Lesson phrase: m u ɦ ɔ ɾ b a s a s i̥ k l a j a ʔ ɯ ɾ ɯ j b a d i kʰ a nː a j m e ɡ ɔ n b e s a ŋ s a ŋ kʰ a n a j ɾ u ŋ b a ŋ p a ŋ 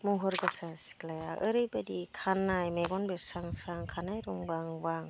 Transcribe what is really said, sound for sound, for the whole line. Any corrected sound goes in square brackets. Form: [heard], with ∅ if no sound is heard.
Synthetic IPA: m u ɦ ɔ ɾ [ɡ] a s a s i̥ k l a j a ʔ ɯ ɾ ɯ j b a d i kʰ a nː a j m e ɡ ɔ n b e s a ŋ s a ŋ kʰ a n a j ɾ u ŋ b a ŋ [b] a ŋ